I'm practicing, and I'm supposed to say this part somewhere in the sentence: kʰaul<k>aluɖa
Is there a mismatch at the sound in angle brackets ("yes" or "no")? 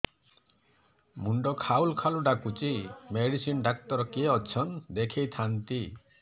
yes